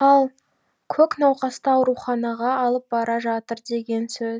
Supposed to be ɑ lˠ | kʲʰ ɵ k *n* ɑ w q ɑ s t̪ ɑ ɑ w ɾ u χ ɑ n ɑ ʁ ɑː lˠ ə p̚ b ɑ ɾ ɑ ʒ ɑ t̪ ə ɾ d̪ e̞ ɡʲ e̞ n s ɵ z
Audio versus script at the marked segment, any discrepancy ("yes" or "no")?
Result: no